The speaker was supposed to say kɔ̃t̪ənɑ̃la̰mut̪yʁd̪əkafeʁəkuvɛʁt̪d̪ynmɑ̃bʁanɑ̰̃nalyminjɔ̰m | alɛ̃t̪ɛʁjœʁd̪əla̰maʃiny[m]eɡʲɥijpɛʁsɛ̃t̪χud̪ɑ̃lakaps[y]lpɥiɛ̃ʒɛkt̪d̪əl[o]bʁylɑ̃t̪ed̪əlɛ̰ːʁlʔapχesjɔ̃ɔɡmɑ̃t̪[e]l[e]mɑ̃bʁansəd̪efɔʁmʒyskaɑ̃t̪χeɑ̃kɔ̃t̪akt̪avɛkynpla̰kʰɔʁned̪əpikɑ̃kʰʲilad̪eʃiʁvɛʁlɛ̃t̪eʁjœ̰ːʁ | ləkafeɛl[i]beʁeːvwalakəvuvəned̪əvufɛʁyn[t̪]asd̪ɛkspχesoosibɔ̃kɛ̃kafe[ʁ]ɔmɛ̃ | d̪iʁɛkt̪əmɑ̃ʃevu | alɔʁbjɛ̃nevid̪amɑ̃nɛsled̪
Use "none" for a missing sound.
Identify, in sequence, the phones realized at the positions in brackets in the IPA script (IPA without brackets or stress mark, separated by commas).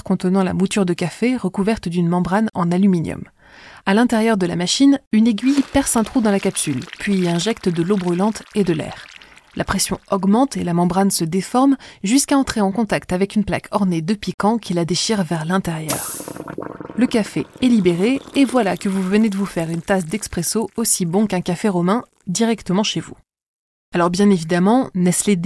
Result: n, y, o, e, a, i, t̪, ʁ